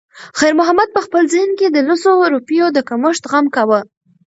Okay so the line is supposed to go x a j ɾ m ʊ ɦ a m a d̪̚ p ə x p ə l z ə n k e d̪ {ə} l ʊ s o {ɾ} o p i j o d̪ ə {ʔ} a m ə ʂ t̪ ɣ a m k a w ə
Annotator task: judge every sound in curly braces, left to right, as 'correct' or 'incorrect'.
correct, correct, incorrect

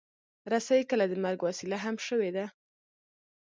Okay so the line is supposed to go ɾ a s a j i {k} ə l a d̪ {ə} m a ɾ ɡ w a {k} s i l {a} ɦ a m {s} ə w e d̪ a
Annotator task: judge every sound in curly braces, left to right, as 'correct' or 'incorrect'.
correct, correct, incorrect, correct, incorrect

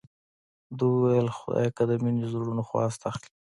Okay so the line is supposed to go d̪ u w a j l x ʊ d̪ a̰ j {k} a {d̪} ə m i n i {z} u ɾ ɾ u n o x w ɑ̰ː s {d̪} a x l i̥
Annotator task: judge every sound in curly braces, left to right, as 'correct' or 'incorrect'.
correct, correct, correct, incorrect

